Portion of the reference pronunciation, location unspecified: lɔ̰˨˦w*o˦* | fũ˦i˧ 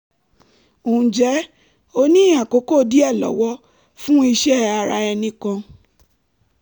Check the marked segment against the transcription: incorrect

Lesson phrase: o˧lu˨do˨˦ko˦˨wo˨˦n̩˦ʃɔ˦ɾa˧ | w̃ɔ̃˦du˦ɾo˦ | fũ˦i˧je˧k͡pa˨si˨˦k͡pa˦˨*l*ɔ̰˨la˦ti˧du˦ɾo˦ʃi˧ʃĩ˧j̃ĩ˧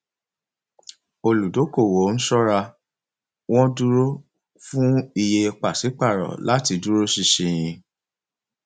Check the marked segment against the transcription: incorrect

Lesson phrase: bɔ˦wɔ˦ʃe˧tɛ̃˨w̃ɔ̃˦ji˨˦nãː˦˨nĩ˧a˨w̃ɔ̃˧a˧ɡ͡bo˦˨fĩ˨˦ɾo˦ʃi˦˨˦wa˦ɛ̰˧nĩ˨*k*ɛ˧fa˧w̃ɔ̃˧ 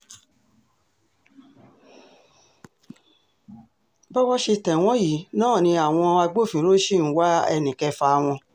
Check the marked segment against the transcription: correct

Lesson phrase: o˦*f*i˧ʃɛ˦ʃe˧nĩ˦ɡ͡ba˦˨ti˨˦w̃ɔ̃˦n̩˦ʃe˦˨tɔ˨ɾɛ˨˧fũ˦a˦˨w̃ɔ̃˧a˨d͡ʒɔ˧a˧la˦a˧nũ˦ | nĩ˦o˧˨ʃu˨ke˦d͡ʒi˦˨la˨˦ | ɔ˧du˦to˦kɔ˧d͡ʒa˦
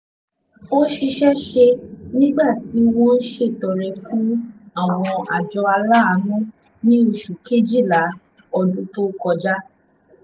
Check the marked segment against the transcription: incorrect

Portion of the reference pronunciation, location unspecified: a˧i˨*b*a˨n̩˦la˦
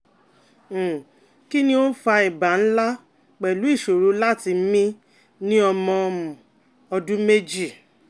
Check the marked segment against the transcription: correct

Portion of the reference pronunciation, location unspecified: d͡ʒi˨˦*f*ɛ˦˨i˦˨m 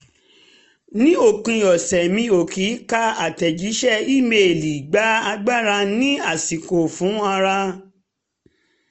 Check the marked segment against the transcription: incorrect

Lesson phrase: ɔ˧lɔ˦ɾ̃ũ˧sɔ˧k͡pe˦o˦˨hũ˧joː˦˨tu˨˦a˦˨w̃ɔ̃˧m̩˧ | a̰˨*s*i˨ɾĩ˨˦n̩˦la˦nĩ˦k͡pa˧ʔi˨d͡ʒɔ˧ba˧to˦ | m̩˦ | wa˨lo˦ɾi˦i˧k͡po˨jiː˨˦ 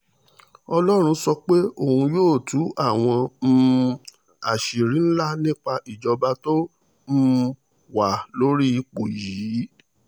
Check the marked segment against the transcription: incorrect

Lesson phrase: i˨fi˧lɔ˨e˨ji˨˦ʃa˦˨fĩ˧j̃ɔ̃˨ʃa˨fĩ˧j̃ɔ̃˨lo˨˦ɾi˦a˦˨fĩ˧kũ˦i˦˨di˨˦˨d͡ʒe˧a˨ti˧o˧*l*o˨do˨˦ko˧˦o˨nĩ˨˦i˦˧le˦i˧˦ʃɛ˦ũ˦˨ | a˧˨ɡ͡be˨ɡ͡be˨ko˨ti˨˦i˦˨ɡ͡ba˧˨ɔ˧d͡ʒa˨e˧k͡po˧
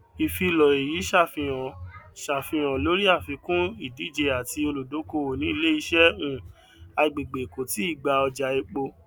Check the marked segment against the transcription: correct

